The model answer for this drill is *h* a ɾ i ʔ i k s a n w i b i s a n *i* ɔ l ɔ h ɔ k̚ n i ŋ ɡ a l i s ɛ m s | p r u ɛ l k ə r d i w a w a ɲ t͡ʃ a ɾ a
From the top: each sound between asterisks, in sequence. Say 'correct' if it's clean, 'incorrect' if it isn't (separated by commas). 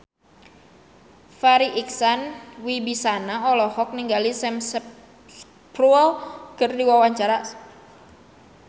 incorrect, incorrect